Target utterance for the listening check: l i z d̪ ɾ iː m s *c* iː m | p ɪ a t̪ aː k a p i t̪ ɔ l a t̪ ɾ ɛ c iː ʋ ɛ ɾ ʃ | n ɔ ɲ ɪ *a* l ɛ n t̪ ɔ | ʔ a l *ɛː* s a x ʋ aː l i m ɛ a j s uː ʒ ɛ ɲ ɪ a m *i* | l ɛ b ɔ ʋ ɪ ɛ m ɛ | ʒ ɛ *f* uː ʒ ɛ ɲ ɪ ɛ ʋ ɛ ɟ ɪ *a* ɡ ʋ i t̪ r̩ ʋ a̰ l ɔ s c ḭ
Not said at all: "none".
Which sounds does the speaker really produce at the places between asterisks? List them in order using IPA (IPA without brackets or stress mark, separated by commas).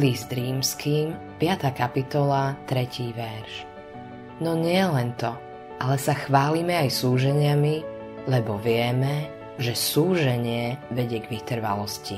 k, ɛ, ɛ, i, s, ɛ